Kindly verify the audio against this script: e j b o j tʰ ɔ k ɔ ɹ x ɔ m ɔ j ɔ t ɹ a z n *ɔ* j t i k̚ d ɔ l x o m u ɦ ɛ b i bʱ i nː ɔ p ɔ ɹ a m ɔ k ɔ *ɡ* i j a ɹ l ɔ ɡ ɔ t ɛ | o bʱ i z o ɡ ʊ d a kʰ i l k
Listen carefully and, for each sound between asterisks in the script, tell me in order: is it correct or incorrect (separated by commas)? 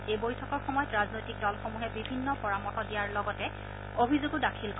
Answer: incorrect, incorrect